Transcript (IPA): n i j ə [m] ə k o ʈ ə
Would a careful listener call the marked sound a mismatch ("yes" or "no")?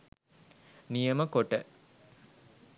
no